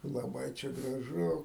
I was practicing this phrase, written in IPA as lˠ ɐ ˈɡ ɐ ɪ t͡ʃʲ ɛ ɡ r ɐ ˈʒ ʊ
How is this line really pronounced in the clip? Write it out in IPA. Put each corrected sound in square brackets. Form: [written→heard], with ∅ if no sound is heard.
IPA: lˠ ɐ [ˈɡ→ˈb] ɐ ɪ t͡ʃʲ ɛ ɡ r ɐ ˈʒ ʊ